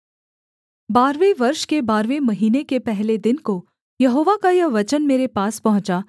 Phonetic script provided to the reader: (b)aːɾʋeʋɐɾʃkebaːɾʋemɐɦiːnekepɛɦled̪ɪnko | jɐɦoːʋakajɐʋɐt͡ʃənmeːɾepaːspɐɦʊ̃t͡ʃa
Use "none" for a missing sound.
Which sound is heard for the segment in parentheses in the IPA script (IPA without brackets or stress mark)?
b